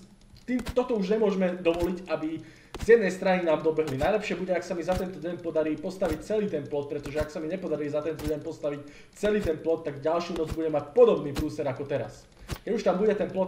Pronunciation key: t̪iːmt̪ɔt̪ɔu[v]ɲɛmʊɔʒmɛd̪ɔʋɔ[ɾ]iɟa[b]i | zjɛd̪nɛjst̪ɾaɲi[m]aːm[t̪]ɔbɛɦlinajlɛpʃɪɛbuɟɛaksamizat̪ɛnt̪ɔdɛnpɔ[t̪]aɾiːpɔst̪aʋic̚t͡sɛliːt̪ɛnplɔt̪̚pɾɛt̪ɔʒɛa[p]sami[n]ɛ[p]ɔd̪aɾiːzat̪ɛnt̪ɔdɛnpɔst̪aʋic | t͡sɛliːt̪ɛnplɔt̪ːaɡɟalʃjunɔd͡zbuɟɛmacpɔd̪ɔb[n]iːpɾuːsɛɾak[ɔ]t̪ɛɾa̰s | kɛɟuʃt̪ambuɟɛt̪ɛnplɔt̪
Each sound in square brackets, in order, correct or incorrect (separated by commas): incorrect, incorrect, correct, incorrect, incorrect, incorrect, incorrect, incorrect, correct, correct, correct